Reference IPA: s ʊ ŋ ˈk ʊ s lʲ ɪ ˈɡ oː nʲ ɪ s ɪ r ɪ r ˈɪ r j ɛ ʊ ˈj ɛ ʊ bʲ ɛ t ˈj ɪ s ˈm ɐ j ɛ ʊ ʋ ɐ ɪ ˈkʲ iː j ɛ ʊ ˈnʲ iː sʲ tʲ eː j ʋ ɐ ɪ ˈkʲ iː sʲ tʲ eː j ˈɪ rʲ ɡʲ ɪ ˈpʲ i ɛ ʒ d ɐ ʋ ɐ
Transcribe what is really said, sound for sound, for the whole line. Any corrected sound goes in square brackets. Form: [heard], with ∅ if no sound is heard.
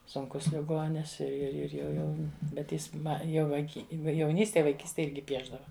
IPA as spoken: s ʊ ŋ ˈk ʊ s lʲ ɪ ˈɡ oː nʲ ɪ s ɪ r ɪ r ˈɪ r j ɛ ʊ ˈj ɛ ʊ bʲ ɛ t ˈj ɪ s ˈm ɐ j ɛ ʊ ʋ ɐ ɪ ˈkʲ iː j ɛ ʊ ˈnʲ iː sʲ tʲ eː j ʋ ɐ ɪ ˈkʲ iː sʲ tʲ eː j ˈɪ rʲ ɡʲ ɪ ˈpʲ i ɛ ʒ d ɐ ʋ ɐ

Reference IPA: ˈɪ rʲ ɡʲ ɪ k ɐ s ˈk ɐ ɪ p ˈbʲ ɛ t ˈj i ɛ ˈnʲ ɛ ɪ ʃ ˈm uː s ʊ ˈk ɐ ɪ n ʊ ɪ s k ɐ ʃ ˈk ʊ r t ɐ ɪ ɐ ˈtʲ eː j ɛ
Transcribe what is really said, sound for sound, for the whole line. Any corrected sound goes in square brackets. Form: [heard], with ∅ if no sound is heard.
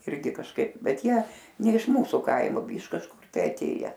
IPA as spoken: ˈɪ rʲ ɡʲ ɪ k ɐ [ʃ] ˈk ɐ ɪ p ˈbʲ ɛ t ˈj i ɛ ˈnʲ ɛ ɪ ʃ ˈm uː s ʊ ˈk ɐ ɪ [m] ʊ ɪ [ʃ] k ɐ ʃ ˈk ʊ r t ɐ ɪ ɐ ˈtʲ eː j ɛ

